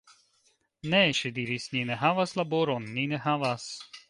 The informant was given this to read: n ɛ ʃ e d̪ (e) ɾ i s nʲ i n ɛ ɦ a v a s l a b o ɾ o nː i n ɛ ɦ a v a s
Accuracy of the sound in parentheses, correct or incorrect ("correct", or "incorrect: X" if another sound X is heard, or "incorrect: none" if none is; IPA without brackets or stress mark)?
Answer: incorrect: i